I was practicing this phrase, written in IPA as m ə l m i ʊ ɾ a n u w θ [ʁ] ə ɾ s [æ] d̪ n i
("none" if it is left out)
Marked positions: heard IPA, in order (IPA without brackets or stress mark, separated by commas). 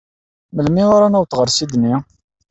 ʁ, i